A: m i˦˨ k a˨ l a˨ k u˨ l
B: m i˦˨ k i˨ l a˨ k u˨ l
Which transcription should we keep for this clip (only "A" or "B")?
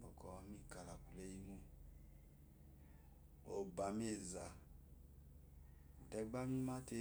A